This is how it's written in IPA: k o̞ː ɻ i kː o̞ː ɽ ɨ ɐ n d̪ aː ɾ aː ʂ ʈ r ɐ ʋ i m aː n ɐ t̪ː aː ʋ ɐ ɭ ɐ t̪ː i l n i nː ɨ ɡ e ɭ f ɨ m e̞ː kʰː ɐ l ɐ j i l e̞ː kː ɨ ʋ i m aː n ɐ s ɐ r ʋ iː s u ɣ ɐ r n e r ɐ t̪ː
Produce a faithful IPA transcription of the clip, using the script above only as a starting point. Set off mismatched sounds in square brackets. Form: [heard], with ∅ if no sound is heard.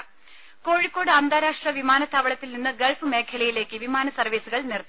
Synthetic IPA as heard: k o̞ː ɻ i kː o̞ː ɽ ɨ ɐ n d̪ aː ɾ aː ʂ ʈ r ɐ ʋ i m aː n ɐ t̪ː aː ʋ ɐ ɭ ɐ t̪ː i l n i nː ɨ ɡ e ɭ f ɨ m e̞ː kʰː ɐ l ɐ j i l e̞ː kː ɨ ʋ i m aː n ɐ s ɐ r ʋ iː s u ɣ ɐ [ɭ] n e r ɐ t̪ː